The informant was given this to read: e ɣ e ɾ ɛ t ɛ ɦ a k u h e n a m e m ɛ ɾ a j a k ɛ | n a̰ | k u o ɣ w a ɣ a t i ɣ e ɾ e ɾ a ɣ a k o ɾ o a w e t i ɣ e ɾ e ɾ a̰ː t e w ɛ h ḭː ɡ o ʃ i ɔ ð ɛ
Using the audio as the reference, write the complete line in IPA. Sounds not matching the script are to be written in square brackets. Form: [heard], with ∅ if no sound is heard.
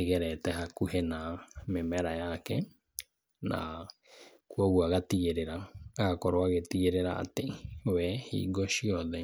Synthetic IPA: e ɣ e ɾ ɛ t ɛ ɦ a k u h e n a m e m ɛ ɾ a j a k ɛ | n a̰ | k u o ɣ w a ɣ a t i ɣ e ɾ e ɾ a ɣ a k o ɾ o a [ɣ] e t i ɣ e ɾ e ɾ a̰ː t e w ɛ h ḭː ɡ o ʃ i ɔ ð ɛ